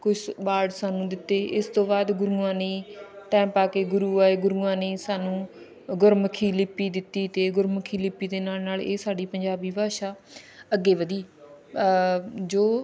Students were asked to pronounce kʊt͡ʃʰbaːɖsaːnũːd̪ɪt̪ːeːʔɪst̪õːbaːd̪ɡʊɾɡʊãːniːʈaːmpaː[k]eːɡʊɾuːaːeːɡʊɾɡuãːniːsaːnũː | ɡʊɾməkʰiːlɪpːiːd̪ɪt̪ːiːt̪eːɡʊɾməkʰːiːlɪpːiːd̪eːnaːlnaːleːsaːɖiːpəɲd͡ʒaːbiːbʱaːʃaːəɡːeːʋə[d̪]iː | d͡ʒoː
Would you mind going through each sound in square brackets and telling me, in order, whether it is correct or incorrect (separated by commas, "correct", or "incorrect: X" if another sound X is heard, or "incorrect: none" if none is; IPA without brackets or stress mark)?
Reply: correct, correct